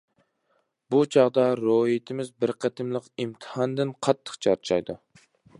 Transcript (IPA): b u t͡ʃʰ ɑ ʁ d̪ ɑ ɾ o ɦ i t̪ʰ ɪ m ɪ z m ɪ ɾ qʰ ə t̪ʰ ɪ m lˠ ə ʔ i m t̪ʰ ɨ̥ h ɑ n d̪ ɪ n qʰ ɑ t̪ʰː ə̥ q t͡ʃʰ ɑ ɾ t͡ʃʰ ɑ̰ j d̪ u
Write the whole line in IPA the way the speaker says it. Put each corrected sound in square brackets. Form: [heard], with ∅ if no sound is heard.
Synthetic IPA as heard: b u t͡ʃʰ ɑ ʁ d̪ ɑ ɾ o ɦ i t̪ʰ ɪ m ɪ z [b] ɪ ɾ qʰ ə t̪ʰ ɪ m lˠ ə [q] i m t̪ʰ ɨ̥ h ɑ n d̪ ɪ n qʰ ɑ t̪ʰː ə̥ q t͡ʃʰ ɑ ɾ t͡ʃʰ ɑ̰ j d̪ u